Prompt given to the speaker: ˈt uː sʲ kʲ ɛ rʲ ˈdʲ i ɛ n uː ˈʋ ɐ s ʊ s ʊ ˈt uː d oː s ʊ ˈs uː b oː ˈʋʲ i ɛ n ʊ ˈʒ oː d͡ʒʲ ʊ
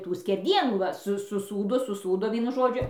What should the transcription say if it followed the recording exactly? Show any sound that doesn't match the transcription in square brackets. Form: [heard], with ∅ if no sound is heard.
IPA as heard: ˈt uː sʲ kʲ ɛ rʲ ˈdʲ i ɛ n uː ˈʋ ɐ s ʊ s ʊ [ˈs] uː d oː s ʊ ˈs uː [d] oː ˈʋʲ i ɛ n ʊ ˈʒ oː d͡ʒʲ ʊ